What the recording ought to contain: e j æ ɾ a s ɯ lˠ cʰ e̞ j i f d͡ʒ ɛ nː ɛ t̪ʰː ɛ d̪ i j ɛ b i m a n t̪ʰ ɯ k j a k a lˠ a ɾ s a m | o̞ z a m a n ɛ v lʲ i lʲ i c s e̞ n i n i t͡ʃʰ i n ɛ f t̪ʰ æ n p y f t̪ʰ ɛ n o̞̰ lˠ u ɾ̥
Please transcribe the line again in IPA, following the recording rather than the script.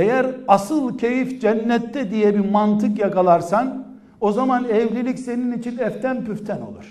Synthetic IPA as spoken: e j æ ɾ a s ɯ lˠ cʰ e̞ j i f d͡ʒ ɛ nː ɛ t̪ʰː ɛ d̪ i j ɛ b i m a n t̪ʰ ɯ k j a k a lˠ a ɾ s a n | o̞ z a m a n ɛ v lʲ i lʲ i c s e̞ n i n i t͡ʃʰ i n ɛ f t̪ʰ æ n p y f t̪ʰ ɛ n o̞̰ lˠ u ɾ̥